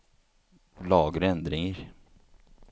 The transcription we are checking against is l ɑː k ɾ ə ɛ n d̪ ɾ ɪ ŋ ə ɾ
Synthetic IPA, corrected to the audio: l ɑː ɡ ɾ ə ɛ n d̪ ɾ ɪ ŋ ə ɾ